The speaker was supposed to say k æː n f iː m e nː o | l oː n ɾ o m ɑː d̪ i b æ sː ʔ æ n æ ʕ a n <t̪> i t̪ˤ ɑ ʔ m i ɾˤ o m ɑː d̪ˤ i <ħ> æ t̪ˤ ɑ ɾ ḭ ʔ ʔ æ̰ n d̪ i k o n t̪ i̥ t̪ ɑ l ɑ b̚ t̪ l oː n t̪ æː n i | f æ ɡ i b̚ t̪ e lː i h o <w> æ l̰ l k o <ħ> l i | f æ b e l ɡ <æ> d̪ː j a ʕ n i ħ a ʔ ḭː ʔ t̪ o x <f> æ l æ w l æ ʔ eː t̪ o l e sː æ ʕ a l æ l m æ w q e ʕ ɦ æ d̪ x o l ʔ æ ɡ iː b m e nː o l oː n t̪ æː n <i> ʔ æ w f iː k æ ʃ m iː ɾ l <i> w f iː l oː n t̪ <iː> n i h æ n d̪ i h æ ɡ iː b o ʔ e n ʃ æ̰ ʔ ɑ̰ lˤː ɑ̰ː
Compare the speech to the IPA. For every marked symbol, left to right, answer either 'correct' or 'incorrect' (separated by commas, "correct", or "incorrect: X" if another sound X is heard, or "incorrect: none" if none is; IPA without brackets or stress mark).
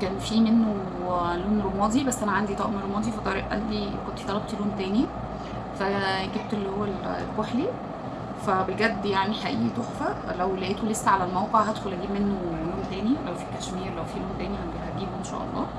incorrect: d̪, incorrect: f, incorrect: wː, correct, correct, correct, correct, incorrect: æ, incorrect: æː